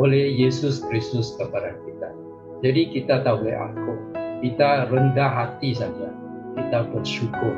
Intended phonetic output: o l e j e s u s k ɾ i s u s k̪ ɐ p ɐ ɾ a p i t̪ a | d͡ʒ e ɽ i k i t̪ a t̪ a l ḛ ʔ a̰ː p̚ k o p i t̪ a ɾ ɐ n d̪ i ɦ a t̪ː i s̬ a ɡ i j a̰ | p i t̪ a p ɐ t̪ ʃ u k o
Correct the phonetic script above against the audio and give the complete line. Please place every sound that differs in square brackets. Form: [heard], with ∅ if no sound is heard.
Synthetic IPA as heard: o l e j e s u s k ɾ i s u s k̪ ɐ p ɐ ɾ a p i t̪ a | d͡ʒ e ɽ i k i t̪ a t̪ a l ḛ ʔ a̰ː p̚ k o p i t̪ a ɾ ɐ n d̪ [a] ɦ a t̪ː i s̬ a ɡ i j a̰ | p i t̪ a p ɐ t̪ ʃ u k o